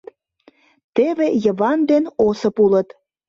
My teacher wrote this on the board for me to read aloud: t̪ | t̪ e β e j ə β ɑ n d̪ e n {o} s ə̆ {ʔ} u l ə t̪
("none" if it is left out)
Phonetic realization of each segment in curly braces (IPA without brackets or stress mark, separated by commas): o, p